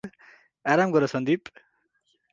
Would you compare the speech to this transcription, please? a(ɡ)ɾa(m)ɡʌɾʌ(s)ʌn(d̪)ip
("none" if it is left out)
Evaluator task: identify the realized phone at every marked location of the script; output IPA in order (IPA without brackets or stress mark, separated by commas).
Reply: none, m, s, d̪